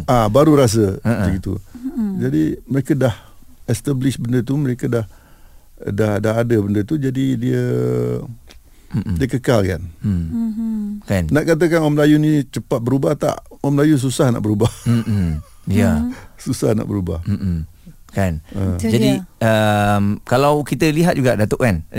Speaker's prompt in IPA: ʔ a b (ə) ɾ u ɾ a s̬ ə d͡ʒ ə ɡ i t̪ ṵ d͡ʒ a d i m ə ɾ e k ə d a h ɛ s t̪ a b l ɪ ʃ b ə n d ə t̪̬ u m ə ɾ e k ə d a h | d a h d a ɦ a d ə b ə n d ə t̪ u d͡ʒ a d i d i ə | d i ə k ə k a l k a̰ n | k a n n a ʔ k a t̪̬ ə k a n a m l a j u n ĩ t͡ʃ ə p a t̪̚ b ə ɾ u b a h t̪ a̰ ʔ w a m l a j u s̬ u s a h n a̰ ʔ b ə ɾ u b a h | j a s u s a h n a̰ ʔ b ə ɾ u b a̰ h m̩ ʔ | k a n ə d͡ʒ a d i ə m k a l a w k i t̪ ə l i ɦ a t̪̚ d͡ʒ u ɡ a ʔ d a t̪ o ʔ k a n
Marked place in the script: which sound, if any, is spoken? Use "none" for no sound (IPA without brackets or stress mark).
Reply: a